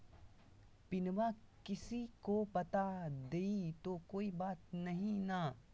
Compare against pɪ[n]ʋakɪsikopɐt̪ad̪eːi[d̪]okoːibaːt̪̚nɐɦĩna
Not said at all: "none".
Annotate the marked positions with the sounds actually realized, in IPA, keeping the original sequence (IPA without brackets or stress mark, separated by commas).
n, t̪